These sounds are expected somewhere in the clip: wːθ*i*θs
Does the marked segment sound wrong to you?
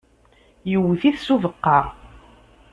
no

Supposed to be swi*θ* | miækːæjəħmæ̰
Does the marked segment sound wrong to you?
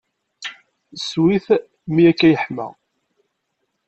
no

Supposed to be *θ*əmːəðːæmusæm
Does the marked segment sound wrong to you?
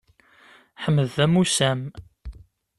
yes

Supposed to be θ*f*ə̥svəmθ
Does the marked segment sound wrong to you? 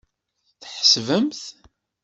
yes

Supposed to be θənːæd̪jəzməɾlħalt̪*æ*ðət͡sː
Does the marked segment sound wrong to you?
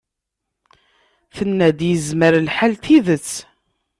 yes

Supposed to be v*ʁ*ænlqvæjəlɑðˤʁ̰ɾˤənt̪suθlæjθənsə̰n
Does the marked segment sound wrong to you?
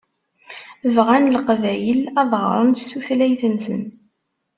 no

